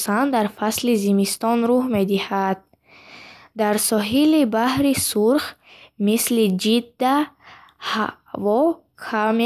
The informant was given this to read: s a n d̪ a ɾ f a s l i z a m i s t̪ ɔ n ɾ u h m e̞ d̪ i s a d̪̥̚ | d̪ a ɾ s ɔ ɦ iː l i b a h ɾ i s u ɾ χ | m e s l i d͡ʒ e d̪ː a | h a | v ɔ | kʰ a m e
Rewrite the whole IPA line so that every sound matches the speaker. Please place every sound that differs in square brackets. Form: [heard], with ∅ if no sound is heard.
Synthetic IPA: s a n d̪ a ɾ f a s l i z [i] m i s t̪ ɔ n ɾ u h m e̞ d̪ i [h] a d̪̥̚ | d̪ a ɾ s ɔ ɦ [i] l i b a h ɾ i s u ɾ χ | m [i] s l i d͡ʒ [i] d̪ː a | h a | v ɔ | kʰ a m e